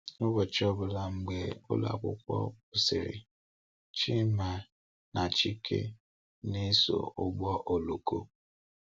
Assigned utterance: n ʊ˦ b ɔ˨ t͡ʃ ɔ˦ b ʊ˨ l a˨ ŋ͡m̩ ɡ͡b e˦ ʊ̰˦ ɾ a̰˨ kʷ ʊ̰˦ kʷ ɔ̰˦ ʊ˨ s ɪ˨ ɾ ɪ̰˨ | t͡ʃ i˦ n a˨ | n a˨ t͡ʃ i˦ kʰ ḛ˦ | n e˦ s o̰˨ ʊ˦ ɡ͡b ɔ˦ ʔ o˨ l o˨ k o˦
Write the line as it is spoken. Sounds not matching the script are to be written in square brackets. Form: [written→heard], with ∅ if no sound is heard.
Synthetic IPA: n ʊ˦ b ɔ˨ t͡ʃ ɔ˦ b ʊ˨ l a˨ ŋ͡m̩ ɡ͡b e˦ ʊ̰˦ [ɾ→l] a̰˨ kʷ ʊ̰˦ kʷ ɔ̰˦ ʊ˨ s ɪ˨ ɾ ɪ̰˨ | t͡ʃ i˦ [n→m] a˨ | n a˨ t͡ʃ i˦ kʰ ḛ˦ | n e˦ s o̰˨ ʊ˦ ɡ͡b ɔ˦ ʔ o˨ l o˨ k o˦